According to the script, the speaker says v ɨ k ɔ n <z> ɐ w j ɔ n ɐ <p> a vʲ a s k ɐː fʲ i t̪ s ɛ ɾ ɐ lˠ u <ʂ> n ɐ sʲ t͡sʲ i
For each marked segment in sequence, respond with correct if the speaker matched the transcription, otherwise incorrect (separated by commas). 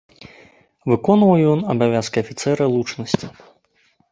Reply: incorrect, incorrect, incorrect